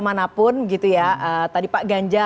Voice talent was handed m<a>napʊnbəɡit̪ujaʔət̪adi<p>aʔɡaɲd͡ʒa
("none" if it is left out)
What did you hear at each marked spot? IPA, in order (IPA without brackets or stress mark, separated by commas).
a, p